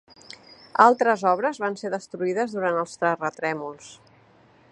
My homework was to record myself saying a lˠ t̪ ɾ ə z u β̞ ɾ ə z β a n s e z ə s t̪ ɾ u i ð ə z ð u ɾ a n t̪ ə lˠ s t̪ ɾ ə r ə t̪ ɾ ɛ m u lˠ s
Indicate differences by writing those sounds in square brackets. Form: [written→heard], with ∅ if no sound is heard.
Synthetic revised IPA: a lˠ t̪ ɾ ə z [u→ɔ] β̞ ɾ ə z β a n s e [z→ð] ə s t̪ ɾ u i ð ə z ð u ɾ a n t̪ ə lˠ s t̪ ɾ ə r ə t̪ ɾ ɛ m u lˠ s